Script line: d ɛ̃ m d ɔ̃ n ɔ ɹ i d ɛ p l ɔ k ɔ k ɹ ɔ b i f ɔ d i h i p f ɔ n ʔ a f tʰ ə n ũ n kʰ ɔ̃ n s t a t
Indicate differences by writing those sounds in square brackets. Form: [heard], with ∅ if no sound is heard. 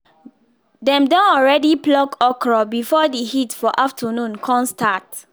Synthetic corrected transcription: d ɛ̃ m d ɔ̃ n ɔ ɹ [ɛ] d [i] p l ɔ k ɔ k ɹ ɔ b i f ɔ d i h i [t] f ɔ [∅] ʔ a f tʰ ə n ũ n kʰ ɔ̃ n s t a t